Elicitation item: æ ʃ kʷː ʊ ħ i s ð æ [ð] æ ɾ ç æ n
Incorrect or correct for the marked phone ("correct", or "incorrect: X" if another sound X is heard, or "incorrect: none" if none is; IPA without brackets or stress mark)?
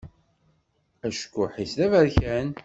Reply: incorrect: v